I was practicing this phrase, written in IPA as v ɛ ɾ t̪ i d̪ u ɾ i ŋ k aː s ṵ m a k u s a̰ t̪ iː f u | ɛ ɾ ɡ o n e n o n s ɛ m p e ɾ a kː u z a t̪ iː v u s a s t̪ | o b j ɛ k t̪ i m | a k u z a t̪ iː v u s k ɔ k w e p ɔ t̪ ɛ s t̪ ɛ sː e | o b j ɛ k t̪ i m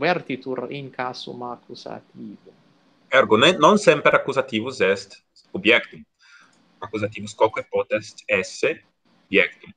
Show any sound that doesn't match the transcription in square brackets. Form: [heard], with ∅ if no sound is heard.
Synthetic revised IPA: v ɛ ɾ t̪ i [t̪] u ɾ i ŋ k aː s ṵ m a k u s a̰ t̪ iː [v] u | ɛ ɾ ɡ o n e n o n s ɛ m p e ɾ a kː u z a t̪ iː v u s [ɛ] s t̪ | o b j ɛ k t̪ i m | a k u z a t̪ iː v u s k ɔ k w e p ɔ t̪ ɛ s t̪ ɛ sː e | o b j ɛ k t̪ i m